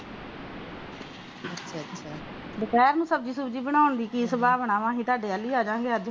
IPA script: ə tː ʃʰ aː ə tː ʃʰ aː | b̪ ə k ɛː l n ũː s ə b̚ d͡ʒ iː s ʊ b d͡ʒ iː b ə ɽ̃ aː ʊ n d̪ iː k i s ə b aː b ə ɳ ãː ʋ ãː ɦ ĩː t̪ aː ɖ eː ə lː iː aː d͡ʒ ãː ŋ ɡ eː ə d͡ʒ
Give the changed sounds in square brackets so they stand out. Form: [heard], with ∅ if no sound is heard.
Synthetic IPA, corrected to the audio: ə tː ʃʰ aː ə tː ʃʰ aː | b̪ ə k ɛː [ɾ] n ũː s ə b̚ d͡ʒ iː s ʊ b d͡ʒ iː b ə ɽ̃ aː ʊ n d̪ iː k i s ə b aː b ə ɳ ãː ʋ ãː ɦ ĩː t̪ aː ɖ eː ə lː iː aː d͡ʒ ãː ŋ ɡ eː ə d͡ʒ

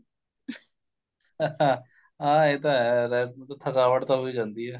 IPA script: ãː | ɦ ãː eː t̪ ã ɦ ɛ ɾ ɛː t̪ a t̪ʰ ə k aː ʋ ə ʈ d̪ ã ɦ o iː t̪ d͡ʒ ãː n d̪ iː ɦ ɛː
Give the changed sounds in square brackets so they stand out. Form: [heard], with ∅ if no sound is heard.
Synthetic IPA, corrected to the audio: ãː | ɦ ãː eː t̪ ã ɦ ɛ ɾ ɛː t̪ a t̪ʰ ə k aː ʋ ə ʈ [t̪] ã ɦ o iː [∅] d͡ʒ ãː n d̪ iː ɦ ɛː

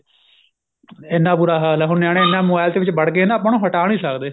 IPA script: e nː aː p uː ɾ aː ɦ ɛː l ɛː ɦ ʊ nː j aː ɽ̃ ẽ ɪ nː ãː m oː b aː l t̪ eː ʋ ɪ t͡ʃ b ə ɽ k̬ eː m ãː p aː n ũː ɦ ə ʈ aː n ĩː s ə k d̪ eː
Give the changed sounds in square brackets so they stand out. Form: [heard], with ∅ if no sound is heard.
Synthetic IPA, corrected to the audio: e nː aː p uː ɾ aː ɦ [aː] l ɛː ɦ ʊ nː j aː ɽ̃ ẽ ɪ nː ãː m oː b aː l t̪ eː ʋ ɪ t͡ʃ b ə ɽ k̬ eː [n] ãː p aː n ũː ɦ ə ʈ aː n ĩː s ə k d̪ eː

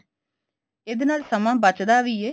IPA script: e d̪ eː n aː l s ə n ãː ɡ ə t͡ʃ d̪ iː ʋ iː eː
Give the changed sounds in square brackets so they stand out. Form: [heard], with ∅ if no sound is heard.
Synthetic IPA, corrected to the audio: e d̪ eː n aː l s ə [m] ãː [b] ə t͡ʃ d̪ [aː] ʋ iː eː

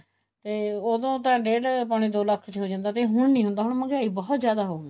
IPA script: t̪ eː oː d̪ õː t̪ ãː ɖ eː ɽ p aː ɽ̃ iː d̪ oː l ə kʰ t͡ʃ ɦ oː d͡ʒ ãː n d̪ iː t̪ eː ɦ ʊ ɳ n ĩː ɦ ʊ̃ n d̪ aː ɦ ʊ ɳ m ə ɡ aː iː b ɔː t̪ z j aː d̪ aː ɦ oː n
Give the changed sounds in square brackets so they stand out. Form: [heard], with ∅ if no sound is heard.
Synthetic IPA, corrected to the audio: t̪ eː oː d̪ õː t̪ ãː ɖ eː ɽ p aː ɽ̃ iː d̪ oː l ə kʰ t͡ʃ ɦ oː d͡ʒ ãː n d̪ [aː] t̪ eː ɦ ʊ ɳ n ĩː ɦ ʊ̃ n d̪ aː ɦ ʊ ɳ m ə ɡ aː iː b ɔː t̪ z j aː d̪ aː ɦ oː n

